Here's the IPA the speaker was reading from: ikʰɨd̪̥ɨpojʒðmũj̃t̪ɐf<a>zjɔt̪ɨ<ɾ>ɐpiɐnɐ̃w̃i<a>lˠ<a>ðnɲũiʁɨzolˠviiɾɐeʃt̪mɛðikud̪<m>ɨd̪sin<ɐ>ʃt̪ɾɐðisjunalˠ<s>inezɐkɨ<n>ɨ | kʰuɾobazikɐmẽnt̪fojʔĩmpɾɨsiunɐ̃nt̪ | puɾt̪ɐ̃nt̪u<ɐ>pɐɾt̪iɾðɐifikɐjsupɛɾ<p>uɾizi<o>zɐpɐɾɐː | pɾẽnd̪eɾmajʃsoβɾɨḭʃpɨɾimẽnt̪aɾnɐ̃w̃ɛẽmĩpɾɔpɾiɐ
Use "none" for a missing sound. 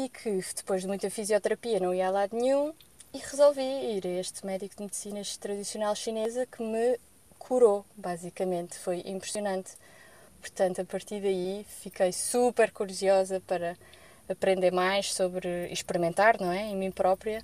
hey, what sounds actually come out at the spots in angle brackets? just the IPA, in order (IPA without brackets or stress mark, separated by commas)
i, ɾ, a, a, m, ɐ, ʃ, m, ɐ, k, ɔ